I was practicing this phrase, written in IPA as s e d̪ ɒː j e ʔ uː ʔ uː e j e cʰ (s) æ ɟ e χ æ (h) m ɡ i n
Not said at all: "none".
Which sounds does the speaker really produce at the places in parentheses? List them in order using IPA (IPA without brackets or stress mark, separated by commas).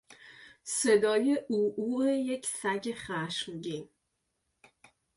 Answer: s, ʃ